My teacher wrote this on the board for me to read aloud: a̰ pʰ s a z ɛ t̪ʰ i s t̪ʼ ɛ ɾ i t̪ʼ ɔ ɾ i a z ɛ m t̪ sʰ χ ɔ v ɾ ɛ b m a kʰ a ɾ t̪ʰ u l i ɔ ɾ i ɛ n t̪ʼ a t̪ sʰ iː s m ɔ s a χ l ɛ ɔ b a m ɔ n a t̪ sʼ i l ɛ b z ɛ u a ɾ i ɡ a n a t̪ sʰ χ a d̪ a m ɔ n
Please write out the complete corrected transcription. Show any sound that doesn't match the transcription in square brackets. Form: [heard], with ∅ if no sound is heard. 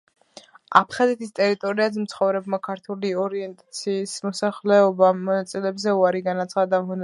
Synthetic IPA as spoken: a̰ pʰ [χ] a z ɛ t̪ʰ i s t̪ʼ ɛ ɾ i t̪ʼ ɔ ɾ i a z ɛ m t̪ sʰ χ ɔ v ɾ ɛ b m a kʰ a ɾ t̪ʰ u l i ɔ ɾ i ɛ n t̪ʼ a t̪ sʰ iː s m ɔ s a χ l ɛ ɔ b a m ɔ n a t̪ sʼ i l ɛ b z ɛ u a ɾ i ɡ a n a t̪ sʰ χ a d̪ a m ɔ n